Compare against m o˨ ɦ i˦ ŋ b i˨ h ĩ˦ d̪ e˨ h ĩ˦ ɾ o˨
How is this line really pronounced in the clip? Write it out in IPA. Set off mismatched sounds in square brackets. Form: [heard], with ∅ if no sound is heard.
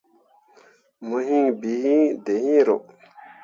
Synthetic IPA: m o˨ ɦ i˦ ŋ b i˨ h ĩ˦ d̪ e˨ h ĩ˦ ɾ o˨

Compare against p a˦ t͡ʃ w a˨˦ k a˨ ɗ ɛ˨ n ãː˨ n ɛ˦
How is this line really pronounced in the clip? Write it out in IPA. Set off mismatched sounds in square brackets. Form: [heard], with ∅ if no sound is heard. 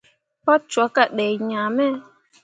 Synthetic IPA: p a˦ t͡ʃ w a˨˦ k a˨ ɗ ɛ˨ [ɲ] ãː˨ [m] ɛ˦

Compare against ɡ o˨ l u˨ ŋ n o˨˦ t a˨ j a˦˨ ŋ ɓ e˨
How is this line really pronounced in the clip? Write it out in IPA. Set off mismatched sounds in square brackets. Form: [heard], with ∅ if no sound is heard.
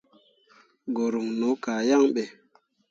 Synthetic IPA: ɡ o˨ [ɾ] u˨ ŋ n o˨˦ [k] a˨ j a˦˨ ŋ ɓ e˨

